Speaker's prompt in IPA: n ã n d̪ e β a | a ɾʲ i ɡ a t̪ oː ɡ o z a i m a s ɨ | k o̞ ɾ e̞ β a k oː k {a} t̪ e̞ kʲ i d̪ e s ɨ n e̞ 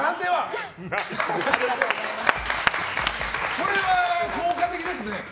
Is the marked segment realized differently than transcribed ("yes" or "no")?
no